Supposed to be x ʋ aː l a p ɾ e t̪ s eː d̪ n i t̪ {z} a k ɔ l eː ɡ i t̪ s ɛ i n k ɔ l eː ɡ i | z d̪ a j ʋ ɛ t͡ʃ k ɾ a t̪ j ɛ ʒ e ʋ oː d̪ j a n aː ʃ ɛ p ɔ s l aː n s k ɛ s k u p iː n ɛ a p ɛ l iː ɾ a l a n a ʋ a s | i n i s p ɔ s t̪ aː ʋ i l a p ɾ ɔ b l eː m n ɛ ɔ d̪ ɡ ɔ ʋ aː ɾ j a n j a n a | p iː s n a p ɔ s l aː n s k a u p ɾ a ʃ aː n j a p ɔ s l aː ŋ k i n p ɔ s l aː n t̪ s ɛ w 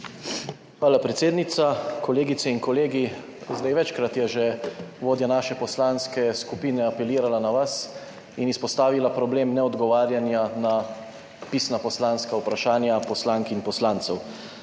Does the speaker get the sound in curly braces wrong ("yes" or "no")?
yes